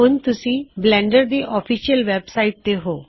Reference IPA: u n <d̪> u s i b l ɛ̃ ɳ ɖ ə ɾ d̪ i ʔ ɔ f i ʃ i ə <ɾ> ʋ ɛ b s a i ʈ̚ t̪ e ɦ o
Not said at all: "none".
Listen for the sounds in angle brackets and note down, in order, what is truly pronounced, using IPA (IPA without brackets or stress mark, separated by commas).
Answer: t̪, l